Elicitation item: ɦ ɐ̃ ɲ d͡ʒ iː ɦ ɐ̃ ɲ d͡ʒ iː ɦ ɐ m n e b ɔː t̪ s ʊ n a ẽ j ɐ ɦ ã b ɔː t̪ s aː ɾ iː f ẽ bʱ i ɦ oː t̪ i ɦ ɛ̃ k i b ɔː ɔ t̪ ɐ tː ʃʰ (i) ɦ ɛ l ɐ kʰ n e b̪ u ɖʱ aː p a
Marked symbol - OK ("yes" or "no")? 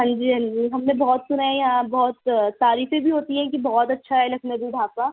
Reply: no